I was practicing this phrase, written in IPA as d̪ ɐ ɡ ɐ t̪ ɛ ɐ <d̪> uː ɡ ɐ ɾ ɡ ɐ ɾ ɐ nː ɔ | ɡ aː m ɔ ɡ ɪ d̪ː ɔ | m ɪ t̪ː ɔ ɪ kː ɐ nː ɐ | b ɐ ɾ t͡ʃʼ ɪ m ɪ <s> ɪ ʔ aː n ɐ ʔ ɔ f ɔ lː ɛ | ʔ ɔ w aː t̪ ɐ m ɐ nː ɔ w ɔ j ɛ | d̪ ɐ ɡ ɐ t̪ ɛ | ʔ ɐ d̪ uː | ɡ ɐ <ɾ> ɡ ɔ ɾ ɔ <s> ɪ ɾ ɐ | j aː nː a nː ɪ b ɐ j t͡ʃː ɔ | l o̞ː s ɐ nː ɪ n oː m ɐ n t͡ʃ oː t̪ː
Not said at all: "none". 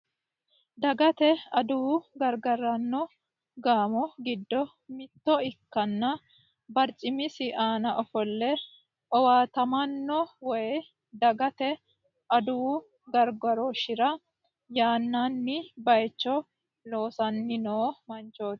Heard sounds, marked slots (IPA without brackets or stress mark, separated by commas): d̪, s, ɾ, ʃ